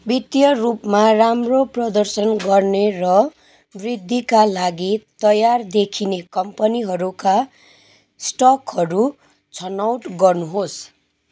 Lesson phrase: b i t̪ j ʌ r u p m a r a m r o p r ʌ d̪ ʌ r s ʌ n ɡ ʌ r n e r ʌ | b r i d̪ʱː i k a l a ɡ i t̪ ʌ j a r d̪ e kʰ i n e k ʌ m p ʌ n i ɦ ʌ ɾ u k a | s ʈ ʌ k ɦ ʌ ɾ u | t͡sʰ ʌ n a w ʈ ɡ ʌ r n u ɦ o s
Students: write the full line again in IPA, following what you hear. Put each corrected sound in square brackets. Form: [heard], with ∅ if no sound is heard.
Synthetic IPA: b i t̪ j ʌ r u p m a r a m r o p r ʌ d̪ ʌ r s ʌ n ɡ ʌ r n e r ʌ | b r i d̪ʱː i k a l a ɡ i t̪ ʌ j a r d̪ e kʰ i n e k ʌ m p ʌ n i ɦ ʌ ɾ u k a | s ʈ ʌ k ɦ ʌ ɾ u | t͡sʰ ʌ n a w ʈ ɡ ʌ r n u ɦ o s